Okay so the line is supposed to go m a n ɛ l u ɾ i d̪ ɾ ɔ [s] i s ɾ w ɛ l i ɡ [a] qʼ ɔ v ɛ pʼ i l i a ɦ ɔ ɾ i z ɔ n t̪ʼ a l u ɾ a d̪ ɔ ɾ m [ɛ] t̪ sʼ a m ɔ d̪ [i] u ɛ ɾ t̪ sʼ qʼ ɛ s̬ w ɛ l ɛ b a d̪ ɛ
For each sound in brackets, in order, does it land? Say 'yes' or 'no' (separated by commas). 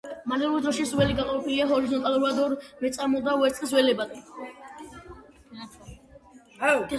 no, yes, yes, no